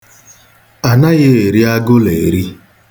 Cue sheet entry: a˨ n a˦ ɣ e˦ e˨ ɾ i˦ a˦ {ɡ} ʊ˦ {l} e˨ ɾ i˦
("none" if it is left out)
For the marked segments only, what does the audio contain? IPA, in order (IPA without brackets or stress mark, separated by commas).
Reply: ɡ, l